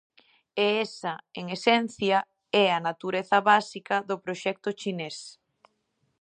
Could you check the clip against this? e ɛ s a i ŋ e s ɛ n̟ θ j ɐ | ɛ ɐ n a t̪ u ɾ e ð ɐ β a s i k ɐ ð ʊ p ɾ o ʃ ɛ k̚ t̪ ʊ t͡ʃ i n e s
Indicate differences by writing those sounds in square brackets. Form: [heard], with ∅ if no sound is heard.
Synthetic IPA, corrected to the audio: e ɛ s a [e] ŋ e s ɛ n̟ θ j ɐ | ɛ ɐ n a t̪ u ɾ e [θ] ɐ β a s i k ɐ ð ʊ p ɾ o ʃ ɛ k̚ t̪ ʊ t͡ʃ i n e s